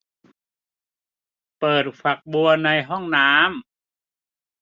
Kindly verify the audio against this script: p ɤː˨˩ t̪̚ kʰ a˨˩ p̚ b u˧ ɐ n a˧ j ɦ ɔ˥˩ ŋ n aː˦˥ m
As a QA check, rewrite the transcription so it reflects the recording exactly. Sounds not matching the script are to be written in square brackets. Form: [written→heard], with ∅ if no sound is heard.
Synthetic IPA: p ɤː˨˩ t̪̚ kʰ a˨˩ [p̚→k̚] b u˧ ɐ n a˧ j ɦ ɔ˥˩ ŋ n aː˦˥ m